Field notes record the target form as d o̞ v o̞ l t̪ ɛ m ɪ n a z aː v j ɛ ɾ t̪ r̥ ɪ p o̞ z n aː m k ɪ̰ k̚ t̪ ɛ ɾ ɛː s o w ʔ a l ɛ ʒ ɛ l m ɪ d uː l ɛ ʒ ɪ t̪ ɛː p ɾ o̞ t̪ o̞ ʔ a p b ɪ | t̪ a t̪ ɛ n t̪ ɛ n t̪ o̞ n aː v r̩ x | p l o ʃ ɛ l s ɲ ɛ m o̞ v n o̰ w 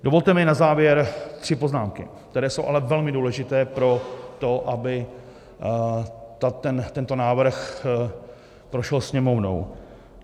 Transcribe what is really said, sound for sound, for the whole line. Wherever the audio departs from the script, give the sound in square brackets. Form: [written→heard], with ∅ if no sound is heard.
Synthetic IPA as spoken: d o̞ v o̞ l t̪ ɛ m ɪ n a z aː v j ɛ ɾ t̪ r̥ ɪ p o̞ z n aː m k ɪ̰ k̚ t̪ ɛ ɾ ɛː s o w ʔ a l ɛ [ʒ→v] ɛ l m ɪ d uː l ɛ ʒ ɪ t̪ ɛː p ɾ o̞ t̪ o̞ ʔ a [p→∅] b ɪ | t̪ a t̪ ɛ n t̪ ɛ n t̪ o̞ n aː v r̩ x | p [l→ɾ] o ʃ ɛ l s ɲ ɛ m o̞ v n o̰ w

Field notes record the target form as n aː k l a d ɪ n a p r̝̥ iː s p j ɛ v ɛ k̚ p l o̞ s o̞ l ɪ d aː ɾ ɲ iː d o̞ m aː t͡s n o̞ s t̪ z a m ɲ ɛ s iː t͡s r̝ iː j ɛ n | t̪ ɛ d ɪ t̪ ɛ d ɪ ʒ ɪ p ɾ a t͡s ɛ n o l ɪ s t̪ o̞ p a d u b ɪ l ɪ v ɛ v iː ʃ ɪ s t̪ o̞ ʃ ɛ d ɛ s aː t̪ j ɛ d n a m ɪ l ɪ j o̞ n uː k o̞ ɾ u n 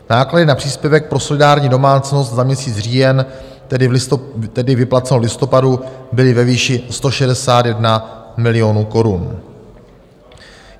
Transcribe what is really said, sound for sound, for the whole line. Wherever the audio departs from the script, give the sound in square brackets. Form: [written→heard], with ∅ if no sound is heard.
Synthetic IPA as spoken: n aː k l a d ɪ n a p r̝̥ iː s p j ɛ v ɛ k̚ p [l→ɾ] o̞ s o̞ l ɪ d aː ɾ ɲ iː d o̞ m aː t͡s n o̞ s t̪ z a m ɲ ɛ s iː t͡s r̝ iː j ɛ n | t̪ ɛ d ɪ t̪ ɛ d ɪ [ʒ→v] ɪ p [ɾ→l] a t͡s ɛ n o l ɪ s t̪ o̞ p a d u b ɪ l ɪ v ɛ v iː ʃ ɪ s t̪ o̞ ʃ ɛ d ɛ s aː t̪ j ɛ d n a m ɪ l ɪ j o̞ n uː k o̞ ɾ u n

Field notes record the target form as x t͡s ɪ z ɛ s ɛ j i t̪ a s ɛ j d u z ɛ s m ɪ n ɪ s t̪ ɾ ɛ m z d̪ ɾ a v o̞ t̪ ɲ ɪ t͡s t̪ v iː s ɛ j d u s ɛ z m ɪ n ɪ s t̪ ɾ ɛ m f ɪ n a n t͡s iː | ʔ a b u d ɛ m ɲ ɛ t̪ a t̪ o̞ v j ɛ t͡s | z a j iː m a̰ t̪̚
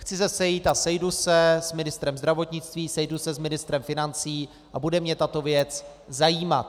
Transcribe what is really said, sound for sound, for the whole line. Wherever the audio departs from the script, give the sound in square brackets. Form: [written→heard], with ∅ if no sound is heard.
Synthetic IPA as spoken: x t͡s ɪ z ɛ s ɛ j i t̪ a s ɛ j d u [z→s] ɛ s m ɪ n ɪ s t̪ ɾ ɛ m z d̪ ɾ a v o̞ t̪ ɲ ɪ t͡s t̪ v iː s ɛ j d u s ɛ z m ɪ n ɪ s t̪ ɾ ɛ m f ɪ n a n t͡s iː | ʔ a b u d ɛ m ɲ ɛ t̪ a t̪ o̞ v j ɛ t͡s | z a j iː m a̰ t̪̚

